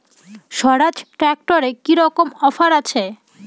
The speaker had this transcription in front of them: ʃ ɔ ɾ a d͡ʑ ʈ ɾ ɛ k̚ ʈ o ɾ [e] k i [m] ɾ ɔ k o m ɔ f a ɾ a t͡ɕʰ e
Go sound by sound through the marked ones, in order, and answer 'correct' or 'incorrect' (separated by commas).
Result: correct, incorrect